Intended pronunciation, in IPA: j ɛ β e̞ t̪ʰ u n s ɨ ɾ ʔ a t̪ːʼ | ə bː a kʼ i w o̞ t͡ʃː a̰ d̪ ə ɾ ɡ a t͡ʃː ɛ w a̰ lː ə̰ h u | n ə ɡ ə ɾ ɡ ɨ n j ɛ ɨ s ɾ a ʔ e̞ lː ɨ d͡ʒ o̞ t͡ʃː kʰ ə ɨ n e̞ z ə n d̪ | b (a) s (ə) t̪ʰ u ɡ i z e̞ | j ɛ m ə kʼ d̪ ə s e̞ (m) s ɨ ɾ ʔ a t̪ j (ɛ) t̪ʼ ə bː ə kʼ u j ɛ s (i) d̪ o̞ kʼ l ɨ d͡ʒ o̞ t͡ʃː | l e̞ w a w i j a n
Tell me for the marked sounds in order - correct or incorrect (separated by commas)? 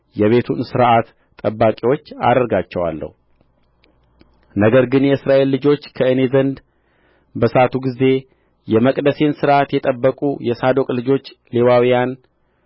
incorrect, incorrect, incorrect, correct, incorrect